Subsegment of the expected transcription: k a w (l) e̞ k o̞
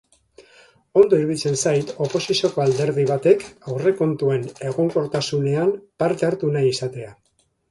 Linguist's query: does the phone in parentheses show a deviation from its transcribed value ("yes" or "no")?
yes